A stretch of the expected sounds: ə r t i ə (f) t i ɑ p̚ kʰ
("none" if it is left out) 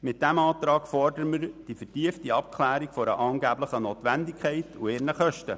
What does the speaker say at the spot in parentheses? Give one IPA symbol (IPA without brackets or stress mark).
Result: f